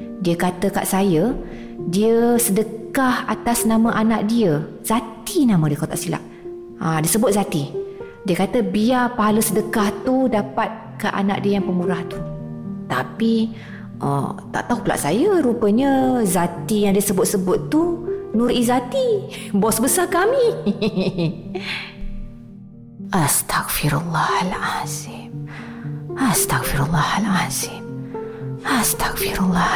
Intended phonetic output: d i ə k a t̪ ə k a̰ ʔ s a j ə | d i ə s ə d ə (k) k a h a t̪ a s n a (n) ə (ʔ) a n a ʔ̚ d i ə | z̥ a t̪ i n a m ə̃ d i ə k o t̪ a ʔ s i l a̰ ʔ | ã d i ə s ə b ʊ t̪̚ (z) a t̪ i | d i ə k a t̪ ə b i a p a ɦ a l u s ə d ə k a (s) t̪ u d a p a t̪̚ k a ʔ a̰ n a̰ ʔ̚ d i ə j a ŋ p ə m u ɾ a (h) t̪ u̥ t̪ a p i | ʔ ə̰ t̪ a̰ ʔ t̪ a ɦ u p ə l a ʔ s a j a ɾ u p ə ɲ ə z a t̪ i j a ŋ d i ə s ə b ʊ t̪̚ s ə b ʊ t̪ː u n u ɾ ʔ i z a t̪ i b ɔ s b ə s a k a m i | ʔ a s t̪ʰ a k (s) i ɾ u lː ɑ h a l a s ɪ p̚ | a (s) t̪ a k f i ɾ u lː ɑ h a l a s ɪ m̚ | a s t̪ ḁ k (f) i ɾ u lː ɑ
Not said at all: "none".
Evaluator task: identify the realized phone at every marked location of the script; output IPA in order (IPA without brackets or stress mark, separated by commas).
k, m, ʔ, z, h, h, f, s, f